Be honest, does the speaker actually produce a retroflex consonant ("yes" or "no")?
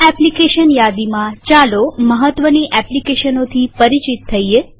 no